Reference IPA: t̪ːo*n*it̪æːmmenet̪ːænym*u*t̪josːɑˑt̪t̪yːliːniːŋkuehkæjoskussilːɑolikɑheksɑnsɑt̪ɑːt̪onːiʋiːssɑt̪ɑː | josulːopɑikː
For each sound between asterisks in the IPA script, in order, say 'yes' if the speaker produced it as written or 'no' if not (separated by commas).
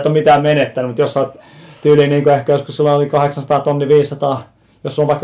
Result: no, yes